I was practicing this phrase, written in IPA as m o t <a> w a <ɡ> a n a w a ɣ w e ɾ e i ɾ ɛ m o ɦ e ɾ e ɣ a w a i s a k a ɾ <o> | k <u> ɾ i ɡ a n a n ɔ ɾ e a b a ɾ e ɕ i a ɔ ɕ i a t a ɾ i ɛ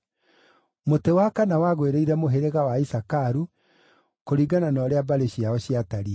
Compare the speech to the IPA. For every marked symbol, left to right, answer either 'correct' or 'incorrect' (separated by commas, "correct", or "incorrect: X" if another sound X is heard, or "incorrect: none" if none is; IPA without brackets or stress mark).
incorrect: e, incorrect: k, incorrect: u, incorrect: o